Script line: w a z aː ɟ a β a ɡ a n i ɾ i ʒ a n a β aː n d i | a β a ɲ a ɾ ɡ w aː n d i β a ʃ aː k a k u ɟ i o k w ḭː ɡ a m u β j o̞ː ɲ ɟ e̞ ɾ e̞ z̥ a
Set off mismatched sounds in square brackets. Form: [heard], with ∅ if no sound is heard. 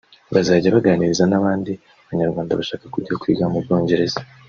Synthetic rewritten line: [β] a z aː ɟ a β a ɡ a n i ɾ i [z] a n a β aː n d i | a β a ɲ a ɾ ɡ w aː n d [a] β a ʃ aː k a k u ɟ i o k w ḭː ɡ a m u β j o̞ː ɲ ɟ e̞ ɾ e̞ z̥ a